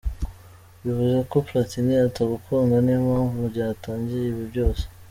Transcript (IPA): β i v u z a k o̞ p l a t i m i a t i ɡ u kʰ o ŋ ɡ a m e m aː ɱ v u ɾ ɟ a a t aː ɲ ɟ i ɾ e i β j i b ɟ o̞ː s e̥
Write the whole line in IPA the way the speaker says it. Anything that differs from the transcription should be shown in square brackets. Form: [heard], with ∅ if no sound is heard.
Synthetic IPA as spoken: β i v u z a k o̞ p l a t i [n] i a t [a] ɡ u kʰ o ŋ ɡ a [n] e m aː ɱ v u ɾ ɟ a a t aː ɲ ɟ i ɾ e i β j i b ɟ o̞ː s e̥